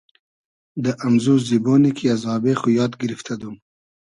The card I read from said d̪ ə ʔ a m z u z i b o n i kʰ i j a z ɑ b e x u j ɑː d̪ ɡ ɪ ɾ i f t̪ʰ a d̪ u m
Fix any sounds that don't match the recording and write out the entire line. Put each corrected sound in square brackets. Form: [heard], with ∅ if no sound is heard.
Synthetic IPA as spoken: d̪ ə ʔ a m z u z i b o n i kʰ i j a z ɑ b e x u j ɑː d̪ ɡ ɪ ɾ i f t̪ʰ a d̪ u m